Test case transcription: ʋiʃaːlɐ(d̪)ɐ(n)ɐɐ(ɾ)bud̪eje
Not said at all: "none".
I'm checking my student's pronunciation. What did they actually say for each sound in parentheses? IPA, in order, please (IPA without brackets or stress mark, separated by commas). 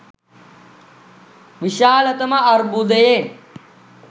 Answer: t̪, m, ɾ